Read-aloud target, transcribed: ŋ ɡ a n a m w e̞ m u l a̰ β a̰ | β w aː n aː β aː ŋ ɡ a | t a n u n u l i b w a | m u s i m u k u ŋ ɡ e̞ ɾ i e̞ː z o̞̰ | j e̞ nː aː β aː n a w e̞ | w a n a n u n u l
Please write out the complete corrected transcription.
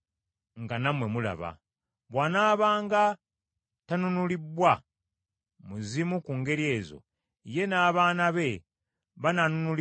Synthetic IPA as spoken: ŋ ɡ a n a m w e̞ m u l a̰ β a̰ | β w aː n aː β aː ŋ ɡ a | t a n u n u l i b w a | m u z i m u k u ŋ ɡ e̞ ɾ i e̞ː z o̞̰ | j e̞ n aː β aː n a β e̞ | β a n a n u n u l